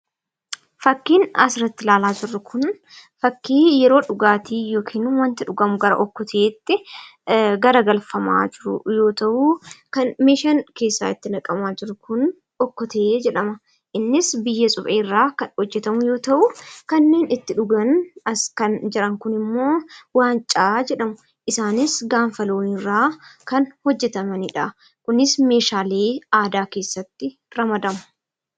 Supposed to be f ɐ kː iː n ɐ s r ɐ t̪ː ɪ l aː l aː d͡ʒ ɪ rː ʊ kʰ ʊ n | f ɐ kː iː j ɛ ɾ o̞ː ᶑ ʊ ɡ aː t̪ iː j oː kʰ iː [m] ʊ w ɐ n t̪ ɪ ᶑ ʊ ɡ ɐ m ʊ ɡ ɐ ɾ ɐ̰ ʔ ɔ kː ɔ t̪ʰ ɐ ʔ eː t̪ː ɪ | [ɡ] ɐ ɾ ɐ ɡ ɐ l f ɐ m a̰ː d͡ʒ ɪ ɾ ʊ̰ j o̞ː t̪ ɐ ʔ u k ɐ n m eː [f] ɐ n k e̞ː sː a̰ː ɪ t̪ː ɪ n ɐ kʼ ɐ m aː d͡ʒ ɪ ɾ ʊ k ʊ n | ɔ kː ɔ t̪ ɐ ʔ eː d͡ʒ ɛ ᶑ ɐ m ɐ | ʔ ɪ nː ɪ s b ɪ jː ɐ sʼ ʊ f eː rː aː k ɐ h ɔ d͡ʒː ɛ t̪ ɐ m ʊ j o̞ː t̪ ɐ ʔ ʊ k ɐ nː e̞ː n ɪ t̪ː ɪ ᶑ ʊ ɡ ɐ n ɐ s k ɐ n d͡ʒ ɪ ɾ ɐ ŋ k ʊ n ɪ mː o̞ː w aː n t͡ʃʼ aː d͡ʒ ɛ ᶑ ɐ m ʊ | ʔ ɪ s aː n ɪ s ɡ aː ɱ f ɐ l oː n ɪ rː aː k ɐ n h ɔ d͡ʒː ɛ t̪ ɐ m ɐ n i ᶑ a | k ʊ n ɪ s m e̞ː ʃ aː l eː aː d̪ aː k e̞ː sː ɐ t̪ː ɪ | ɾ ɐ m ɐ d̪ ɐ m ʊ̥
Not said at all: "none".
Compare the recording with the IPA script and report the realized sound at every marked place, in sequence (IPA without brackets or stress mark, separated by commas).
n, ɡ, ʃ